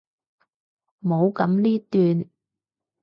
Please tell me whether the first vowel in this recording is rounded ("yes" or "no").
yes